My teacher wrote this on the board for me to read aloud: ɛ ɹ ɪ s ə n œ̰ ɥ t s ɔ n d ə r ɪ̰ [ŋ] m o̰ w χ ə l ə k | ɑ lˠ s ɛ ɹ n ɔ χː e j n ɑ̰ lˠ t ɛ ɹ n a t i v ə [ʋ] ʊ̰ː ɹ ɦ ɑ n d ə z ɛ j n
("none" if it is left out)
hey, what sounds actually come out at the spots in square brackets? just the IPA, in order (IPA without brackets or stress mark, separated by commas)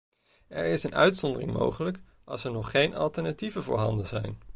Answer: ŋ, v